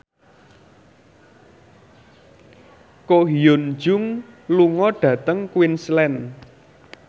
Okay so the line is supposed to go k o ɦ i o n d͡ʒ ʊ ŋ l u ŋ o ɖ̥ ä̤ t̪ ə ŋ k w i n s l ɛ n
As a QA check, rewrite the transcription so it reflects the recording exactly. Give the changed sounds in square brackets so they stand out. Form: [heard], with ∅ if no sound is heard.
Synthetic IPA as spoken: k o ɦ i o n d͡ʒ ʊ ŋ l u ŋ [ɔ] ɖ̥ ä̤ t̪ ə ŋ k w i n s l ɛ n